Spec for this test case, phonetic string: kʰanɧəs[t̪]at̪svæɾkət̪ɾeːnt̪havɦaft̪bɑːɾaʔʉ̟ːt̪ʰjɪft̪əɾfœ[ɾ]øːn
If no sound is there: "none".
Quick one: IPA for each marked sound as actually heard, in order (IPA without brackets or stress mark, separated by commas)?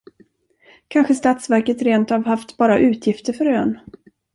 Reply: t̪, ɾ